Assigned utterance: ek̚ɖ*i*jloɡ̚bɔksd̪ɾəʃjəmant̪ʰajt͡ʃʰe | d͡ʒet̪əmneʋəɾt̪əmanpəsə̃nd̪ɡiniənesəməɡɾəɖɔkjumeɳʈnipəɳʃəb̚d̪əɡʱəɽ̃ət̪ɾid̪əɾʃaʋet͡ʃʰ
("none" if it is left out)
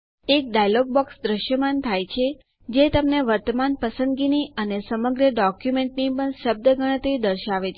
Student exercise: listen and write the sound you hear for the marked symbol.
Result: a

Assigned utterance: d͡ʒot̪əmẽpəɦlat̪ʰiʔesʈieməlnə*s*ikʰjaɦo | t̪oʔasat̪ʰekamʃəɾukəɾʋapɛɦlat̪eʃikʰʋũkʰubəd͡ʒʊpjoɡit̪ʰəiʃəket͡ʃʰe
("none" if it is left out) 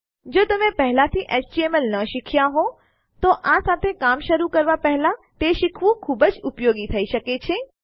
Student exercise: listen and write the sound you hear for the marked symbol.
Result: ʃ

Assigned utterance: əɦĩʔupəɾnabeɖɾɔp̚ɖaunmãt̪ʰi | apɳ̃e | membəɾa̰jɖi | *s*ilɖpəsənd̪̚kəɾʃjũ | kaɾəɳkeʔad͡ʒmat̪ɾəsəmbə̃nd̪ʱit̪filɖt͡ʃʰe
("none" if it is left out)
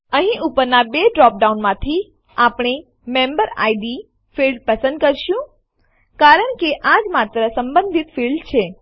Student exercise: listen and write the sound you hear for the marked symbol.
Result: f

